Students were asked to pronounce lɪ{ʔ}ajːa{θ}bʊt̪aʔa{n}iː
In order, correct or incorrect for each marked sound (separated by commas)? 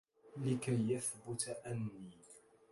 incorrect, correct, incorrect